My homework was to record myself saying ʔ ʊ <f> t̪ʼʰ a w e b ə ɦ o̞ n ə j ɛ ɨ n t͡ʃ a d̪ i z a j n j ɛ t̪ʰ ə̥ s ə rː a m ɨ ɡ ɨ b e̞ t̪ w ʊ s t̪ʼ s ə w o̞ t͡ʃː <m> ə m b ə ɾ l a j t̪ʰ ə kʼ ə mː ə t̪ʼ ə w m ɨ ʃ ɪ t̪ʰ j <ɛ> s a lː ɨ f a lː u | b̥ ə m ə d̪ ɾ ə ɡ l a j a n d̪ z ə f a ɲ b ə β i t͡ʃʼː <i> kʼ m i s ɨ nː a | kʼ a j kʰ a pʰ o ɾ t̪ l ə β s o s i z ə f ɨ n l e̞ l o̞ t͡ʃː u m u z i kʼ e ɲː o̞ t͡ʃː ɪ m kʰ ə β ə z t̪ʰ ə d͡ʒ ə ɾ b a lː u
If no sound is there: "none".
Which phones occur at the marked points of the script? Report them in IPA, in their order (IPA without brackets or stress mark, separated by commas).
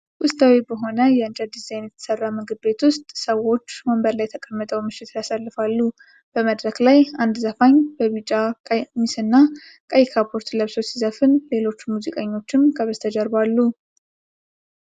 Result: s, m, a, a